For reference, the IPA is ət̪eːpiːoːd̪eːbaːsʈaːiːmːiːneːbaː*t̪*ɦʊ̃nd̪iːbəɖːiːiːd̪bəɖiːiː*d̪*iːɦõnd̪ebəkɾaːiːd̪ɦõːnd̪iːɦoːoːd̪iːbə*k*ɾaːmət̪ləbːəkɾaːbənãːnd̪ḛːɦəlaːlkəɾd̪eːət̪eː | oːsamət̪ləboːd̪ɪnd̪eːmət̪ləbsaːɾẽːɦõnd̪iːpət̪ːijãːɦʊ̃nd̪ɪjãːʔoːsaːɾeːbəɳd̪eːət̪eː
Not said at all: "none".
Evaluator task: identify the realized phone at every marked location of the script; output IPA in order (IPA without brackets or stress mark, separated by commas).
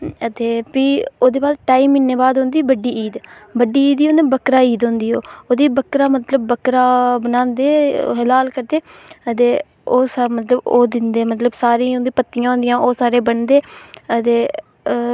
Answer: d̪, d̪, k